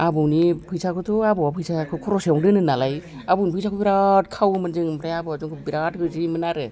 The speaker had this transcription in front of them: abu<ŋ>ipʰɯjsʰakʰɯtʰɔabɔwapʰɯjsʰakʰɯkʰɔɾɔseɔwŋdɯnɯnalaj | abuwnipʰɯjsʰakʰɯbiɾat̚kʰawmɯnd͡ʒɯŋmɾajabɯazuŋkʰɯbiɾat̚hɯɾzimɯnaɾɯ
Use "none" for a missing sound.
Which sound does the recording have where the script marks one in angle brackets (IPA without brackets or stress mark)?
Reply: n